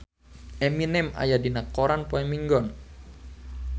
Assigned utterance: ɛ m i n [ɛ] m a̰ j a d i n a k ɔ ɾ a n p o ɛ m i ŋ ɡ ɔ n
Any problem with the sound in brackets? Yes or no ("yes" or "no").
no